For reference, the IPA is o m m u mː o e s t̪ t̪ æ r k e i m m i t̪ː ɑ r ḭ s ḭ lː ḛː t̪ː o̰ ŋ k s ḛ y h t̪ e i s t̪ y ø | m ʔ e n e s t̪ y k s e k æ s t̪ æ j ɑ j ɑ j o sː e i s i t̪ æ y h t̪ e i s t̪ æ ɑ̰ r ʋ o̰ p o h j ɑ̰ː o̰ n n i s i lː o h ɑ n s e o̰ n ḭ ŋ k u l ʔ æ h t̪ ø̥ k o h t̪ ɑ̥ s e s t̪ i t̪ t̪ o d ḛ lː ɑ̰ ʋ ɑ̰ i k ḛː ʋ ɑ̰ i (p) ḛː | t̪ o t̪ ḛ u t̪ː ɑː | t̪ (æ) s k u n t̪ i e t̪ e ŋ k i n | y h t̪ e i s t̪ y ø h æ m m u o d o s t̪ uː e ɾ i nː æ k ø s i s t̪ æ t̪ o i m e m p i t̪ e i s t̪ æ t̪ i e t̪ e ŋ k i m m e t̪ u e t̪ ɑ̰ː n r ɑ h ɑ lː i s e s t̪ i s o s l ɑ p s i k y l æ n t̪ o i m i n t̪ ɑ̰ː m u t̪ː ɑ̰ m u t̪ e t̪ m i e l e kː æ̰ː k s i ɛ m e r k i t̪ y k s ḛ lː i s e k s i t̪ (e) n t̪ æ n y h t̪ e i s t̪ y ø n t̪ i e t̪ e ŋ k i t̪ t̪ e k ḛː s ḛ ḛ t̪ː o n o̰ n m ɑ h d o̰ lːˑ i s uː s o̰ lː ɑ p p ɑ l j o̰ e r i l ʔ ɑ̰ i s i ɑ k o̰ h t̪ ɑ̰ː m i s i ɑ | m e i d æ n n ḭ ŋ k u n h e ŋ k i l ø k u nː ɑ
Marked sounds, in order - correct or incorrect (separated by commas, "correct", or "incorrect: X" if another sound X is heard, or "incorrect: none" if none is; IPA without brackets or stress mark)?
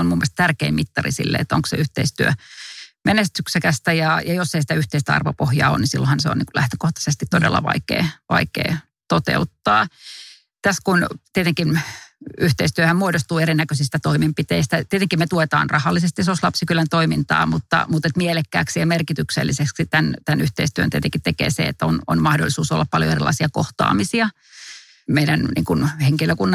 incorrect: k, correct, incorrect: æ